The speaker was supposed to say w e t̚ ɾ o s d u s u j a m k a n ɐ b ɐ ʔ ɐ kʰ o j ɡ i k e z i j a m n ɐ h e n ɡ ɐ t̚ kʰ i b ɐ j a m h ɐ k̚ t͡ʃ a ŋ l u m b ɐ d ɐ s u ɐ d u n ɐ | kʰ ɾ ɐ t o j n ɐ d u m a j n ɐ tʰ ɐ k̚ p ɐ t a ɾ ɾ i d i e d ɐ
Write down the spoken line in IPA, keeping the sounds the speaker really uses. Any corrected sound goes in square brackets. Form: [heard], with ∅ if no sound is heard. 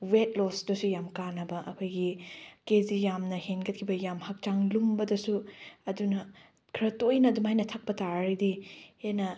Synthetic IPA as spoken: w e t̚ [l] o s d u s u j a m k a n ɐ b ɐ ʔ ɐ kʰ o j ɡ i k e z i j a m n ɐ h e n ɡ ɐ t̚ kʰ i b ɐ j a m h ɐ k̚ t͡ʃ a ŋ l u m b ɐ d ɐ s u ɐ d u n ɐ | kʰ ɾ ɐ t o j n ɐ d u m a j n ɐ tʰ ɐ k̚ p ɐ t a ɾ ɾ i d i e [n] ɐ